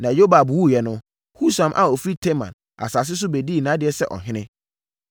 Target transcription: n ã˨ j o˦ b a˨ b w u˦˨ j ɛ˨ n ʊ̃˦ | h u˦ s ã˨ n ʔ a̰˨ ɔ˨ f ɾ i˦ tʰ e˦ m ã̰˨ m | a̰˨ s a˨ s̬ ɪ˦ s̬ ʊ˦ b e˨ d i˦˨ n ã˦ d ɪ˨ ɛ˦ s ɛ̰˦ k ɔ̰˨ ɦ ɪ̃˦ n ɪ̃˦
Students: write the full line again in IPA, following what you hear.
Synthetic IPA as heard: n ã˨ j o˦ b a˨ b w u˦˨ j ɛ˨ n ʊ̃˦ | h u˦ s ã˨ m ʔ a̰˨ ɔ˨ f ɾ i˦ tʰ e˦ m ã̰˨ n | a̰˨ s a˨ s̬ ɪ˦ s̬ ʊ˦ b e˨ d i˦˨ n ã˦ d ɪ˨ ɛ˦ s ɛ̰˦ ʔ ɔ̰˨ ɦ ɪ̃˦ n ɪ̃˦